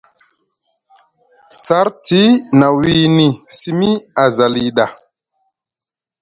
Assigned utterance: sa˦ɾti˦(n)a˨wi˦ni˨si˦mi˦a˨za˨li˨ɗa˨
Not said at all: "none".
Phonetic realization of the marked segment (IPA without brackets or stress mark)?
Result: n